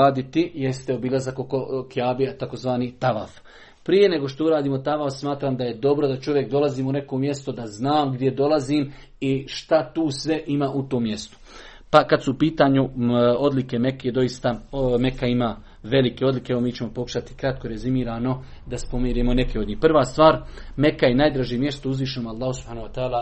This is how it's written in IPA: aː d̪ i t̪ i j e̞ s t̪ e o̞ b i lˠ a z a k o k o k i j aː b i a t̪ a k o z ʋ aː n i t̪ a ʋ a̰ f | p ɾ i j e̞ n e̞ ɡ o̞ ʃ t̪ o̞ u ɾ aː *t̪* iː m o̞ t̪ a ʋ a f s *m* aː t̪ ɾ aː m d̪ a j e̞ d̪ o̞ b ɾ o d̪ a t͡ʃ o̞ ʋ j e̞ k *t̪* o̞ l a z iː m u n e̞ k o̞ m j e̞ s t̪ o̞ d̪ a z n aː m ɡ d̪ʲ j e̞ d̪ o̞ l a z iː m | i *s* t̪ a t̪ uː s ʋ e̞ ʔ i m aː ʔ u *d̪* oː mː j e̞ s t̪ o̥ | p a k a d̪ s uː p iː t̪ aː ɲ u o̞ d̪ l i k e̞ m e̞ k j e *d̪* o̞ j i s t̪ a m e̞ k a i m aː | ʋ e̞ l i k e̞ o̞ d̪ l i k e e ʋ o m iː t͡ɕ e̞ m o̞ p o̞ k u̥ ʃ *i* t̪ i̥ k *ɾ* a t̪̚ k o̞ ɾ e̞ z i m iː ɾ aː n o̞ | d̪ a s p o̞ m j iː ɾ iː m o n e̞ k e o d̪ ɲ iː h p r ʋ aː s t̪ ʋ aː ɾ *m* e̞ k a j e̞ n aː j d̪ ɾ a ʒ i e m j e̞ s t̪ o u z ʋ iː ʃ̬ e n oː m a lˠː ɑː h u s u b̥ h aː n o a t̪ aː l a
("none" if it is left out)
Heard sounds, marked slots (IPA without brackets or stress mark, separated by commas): d̪, m, d̪, ʃ, t̪, d̪, a, ɾ, m